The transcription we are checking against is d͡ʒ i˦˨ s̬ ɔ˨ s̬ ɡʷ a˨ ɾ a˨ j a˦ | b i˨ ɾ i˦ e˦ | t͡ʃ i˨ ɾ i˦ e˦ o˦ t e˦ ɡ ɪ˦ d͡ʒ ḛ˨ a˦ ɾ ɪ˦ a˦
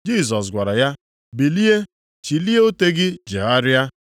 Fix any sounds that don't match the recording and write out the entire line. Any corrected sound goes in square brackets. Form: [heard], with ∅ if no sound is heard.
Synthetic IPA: d͡ʒ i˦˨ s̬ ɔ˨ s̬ ɡʷ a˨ ɾ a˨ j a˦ | b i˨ [l] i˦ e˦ | t͡ʃ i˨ [l] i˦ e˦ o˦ t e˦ ɡ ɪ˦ d͡ʒ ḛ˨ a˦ ɾ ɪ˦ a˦